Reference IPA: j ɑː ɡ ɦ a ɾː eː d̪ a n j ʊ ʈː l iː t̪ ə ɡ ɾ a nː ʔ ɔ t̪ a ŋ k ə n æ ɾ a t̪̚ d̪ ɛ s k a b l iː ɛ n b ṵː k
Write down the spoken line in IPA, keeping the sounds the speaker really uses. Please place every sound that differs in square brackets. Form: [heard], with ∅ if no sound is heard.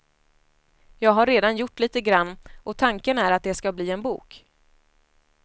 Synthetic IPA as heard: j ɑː ɡ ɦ a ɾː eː d̪ a n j ʊ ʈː l iː t̪ ə ɡ ɾ a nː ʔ ɔ [t̪ʰ] a ŋ k ə n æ ɾ a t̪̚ d̪ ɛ s k a b l iː ɛ n b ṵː k